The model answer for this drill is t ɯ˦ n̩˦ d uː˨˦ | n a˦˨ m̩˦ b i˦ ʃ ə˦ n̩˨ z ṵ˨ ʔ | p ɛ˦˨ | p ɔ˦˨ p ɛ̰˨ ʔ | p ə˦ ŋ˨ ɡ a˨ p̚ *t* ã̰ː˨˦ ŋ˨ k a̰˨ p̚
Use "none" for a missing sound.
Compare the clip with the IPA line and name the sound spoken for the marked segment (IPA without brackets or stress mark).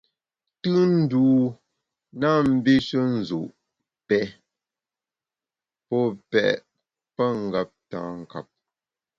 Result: t